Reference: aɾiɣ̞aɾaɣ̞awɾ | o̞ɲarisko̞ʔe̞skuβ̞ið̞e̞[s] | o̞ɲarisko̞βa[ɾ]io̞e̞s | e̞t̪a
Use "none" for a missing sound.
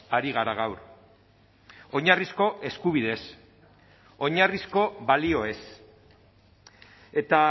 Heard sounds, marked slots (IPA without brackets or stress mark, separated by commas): s, l